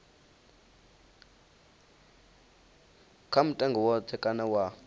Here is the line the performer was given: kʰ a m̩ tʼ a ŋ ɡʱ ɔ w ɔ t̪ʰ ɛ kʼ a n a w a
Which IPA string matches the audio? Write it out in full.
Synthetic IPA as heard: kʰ a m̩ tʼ a ŋ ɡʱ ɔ w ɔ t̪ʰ ɛ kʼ a n a w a